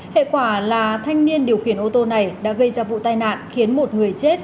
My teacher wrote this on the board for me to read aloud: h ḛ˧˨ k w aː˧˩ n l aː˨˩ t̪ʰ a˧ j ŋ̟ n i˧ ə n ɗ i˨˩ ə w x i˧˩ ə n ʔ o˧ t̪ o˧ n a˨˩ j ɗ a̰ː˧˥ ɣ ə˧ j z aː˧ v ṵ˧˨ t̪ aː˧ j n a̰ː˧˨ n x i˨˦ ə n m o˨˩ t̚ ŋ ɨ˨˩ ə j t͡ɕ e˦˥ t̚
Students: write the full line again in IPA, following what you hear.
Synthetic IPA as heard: h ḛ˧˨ k w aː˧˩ l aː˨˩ t̪ʰ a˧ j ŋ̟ n i˧ ə n ɗ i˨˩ ə w x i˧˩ ə n ʔ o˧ t̪ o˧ n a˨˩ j ɗ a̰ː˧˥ ɣ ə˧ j z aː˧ v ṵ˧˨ t̪ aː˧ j n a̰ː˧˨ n x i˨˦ ə n m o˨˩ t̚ ŋ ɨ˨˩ ə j t͡ɕ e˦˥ t̚